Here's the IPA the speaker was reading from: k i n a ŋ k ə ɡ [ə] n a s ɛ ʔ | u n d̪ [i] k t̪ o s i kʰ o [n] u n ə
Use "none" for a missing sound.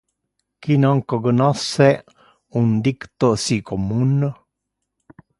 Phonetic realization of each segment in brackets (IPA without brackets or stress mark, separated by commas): ə, i, m